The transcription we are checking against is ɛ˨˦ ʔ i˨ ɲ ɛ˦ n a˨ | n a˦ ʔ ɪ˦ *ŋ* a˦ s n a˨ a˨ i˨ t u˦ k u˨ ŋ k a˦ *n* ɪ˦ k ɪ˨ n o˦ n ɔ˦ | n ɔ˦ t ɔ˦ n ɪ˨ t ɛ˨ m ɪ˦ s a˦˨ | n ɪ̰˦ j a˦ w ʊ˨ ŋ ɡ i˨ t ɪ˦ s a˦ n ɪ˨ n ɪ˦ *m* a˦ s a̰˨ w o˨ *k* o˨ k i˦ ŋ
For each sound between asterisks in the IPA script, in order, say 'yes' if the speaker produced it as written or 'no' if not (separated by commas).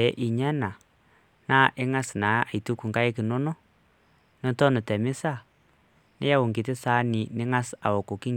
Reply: yes, no, no, yes